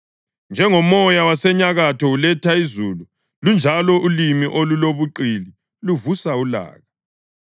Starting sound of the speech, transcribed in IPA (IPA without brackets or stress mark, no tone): n